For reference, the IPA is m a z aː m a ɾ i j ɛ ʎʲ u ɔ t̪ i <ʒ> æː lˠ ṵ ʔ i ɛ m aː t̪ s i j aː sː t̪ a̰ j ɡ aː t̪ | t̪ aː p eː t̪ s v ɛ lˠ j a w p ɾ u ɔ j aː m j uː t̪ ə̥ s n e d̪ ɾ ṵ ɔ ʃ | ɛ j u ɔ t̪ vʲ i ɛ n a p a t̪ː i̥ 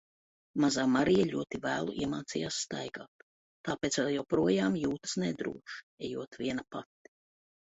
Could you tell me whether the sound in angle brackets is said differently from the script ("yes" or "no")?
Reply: yes